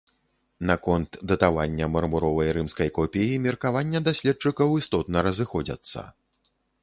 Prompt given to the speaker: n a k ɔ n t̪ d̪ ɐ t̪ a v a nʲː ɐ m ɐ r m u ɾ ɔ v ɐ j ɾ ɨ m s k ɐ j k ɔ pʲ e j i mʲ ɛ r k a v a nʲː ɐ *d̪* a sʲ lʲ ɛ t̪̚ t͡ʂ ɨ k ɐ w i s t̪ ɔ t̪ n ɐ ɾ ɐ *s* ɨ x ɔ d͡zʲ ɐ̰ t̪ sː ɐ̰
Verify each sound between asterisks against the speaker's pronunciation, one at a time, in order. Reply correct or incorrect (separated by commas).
correct, incorrect